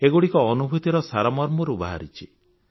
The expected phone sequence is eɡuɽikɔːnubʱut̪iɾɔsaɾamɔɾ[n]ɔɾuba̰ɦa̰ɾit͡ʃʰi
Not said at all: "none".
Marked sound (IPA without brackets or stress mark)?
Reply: m